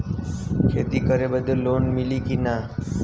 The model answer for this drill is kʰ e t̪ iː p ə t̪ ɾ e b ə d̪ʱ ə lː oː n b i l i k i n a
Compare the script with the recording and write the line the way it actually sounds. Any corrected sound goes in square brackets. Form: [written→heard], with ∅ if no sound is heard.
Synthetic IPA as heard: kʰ e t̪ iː [p→k] ə [t̪→∅] ɾ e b ə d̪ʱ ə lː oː n [b→m] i l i k i n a